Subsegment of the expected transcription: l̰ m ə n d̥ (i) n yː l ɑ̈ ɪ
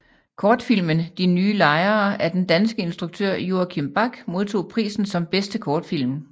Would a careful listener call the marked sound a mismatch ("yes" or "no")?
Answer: no